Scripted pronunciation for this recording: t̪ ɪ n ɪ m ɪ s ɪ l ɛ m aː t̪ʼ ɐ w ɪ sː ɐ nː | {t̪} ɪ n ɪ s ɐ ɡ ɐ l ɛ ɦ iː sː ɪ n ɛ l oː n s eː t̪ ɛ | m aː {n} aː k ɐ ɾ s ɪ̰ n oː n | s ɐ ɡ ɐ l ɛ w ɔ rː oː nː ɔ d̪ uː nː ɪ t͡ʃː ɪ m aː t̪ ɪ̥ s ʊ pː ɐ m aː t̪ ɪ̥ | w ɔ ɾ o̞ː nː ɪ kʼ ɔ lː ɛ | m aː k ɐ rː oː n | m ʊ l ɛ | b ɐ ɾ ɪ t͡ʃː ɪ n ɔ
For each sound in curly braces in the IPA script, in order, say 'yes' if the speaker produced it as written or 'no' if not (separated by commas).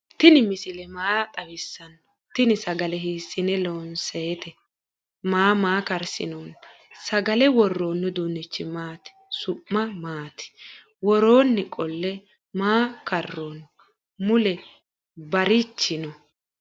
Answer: yes, no